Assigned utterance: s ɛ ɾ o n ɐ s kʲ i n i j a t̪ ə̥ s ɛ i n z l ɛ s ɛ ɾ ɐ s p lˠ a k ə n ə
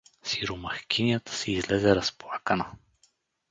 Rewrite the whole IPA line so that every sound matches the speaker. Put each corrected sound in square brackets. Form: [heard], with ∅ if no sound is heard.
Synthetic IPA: s [i] ɾ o [m] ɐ [x] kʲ i n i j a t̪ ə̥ s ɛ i [∅] z l ɛ [z] ɛ ɾ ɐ s p lˠ a k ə n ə